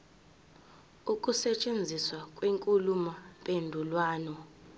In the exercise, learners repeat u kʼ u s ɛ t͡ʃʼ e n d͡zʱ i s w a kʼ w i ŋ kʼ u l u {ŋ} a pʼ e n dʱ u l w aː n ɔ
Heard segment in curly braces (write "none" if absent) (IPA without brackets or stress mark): m